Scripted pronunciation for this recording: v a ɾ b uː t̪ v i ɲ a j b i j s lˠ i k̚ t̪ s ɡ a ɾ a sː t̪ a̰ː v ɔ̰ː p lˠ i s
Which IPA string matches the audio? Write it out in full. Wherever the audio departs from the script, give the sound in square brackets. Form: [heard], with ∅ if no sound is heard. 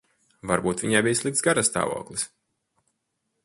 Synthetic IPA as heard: v a ɾ b uː t̪ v i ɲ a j b i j s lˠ i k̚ t̪ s ɡ a ɾ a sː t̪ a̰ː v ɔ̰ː [k] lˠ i s